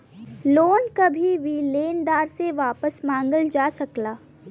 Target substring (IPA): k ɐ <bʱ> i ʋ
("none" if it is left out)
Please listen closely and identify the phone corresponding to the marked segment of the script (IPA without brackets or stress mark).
bʱ